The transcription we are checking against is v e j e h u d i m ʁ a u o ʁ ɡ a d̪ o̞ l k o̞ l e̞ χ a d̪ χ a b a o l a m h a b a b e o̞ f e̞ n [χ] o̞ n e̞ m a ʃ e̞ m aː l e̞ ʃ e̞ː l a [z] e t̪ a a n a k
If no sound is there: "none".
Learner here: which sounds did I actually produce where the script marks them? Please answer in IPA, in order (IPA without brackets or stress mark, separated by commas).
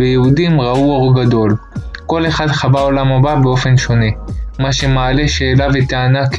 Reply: ʃ, v